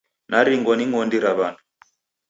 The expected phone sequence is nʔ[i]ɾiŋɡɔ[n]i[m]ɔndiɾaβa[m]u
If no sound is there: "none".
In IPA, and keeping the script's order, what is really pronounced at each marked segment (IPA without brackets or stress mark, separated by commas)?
a, n, ŋ, n